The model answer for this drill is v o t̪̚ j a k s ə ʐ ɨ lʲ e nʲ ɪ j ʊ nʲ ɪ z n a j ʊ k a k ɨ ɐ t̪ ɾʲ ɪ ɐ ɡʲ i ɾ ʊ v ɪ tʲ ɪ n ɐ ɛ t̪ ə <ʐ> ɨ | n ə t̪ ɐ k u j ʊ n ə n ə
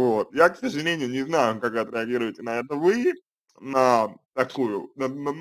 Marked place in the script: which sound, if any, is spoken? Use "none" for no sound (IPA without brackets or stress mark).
v